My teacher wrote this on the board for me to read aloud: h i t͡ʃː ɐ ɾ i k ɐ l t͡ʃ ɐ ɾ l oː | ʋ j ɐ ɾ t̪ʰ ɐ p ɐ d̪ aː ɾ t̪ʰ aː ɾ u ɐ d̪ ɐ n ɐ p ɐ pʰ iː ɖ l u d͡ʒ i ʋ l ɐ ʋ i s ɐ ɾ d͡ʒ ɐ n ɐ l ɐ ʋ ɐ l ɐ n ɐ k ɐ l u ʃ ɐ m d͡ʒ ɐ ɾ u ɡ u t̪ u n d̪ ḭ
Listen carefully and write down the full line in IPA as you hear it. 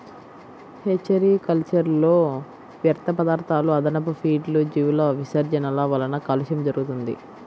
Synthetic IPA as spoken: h e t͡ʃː ɐ ɾ i k ɐ l t͡ʃ ɐ ɾ l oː | ʋ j ɐ ɾ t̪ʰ ɐ p ɐ d̪ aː ɾ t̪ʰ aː l u ɐ d̪ ɐ n ɐ p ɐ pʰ iː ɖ l u d͡ʒ i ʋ l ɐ ʋ i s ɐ ɾ d͡ʒ ɐ n ɐ l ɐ ʋ ɐ l ɐ n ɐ k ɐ l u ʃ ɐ m d͡ʒ ɐ ɾ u ɡ u t̪ u n d̪ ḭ